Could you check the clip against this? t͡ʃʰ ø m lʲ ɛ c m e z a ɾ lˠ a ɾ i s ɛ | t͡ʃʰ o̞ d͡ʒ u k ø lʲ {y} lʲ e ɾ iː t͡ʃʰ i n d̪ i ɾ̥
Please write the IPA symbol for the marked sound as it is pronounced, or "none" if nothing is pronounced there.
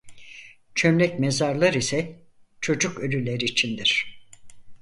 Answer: y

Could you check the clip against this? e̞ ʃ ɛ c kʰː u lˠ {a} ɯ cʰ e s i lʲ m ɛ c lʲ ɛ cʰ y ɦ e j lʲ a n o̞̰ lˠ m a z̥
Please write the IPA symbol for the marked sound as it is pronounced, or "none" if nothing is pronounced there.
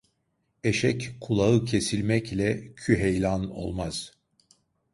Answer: a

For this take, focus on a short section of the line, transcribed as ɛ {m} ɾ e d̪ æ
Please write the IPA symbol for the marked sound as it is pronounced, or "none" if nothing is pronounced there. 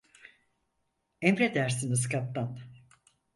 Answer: m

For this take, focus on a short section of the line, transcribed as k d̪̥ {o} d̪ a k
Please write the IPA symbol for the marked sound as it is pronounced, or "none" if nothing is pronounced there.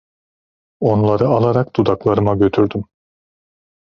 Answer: u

